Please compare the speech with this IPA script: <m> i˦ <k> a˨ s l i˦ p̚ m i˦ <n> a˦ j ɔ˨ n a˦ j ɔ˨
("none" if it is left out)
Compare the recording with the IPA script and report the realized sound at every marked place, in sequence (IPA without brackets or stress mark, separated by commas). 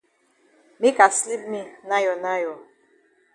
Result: m, k, n